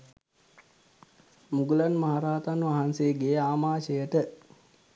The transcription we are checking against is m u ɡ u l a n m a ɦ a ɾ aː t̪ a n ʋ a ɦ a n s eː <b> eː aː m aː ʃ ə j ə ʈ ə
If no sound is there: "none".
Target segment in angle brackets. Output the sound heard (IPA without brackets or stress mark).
ɡ